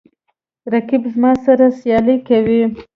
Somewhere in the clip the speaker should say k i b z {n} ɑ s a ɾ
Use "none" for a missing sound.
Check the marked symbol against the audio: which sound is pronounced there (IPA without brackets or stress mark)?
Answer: m